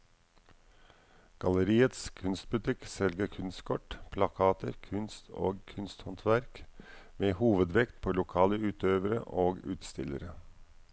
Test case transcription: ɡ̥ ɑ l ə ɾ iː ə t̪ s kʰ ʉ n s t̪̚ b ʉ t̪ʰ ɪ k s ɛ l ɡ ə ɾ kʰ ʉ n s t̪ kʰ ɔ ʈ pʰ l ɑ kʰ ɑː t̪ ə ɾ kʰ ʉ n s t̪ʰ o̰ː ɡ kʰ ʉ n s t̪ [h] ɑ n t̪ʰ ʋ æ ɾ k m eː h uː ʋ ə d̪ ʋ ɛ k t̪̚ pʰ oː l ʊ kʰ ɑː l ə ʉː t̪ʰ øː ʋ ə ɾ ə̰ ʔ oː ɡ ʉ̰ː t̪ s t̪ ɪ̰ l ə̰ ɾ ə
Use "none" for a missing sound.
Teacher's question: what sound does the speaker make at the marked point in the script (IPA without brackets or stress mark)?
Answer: h